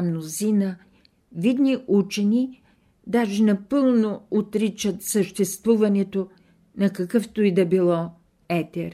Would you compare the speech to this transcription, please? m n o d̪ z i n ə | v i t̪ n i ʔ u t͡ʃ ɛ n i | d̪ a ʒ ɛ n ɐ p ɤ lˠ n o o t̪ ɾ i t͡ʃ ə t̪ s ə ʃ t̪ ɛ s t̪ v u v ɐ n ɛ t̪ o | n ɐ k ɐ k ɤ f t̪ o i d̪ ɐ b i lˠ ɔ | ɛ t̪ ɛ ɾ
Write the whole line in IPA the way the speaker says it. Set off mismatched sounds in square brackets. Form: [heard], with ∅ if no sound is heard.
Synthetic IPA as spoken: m n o [∅] z i n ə | v i [d̪] n i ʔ u t͡ʃ ɛ n i | d̪ a ʒ ɛ n ɐ p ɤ lˠ n o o t̪ ɾ i t͡ʃ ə t̪ s ə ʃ t̪ ɛ s t̪ v u v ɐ n ɛ t̪ o | n ɐ k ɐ k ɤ f t̪ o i d̪ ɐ b i lˠ ɔ | ɛ t̪ ɛ ɾ